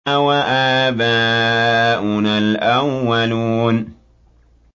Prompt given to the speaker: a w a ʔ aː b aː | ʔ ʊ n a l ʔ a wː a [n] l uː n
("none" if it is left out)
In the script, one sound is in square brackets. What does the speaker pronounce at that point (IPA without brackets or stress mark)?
none